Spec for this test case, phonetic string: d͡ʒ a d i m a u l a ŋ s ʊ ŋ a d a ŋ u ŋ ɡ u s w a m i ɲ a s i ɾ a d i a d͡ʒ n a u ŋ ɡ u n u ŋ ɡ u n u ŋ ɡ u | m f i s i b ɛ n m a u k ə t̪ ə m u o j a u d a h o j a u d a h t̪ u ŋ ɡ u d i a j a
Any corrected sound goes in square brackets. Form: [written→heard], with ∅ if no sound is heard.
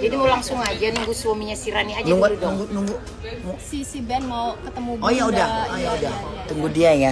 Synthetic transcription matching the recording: d͡ʒ a d i m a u l a ŋ s ʊ ŋ a [d→d͡ʒ] a [ŋ→n] u ŋ ɡ u s w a m i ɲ a s i ɾ a [d→n] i a d͡ʒ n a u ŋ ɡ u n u ŋ ɡ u n u ŋ ɡ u | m [f→s] i s i b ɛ n m a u k ə t̪ ə m u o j a u d a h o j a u d a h t̪ u ŋ ɡ u d i a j a